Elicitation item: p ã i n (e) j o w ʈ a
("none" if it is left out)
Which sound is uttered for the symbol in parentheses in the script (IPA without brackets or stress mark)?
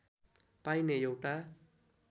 e